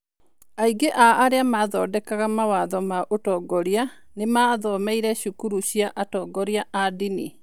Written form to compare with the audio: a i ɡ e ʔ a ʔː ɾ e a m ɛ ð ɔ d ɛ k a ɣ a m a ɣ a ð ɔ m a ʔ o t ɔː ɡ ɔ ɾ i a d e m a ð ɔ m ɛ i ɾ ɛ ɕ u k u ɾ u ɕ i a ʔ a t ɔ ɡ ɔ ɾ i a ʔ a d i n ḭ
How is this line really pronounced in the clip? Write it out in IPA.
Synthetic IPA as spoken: a i ɡ e ʔ a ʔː ɾ e a m a ð ɔ d ɛ k a ɣ a m a w a ð ɔ m a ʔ o t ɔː ɡ ɔ ɾ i a n e m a ð ɔ m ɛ i ɾ ɛ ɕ u k u ɾ u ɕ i a ʔ a t ɔ ɡ ɔ ɾ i a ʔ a d i n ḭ